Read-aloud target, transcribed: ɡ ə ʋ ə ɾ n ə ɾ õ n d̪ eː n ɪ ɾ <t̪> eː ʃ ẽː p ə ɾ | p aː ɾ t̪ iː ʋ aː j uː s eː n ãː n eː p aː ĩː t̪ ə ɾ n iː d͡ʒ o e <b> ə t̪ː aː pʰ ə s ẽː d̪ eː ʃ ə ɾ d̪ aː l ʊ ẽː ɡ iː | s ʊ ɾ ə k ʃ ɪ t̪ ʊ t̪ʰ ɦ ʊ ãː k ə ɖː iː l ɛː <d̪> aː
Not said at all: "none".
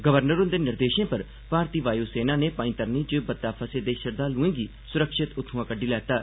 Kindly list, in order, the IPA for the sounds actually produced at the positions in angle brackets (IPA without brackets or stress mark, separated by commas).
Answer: d̪, b, t̪